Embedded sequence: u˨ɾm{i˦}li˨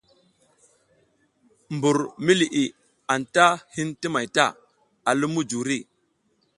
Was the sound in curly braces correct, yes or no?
yes